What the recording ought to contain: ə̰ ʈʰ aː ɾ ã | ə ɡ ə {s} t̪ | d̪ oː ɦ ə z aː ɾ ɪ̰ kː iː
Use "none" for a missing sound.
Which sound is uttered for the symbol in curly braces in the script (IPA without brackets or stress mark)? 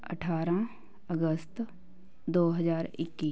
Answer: s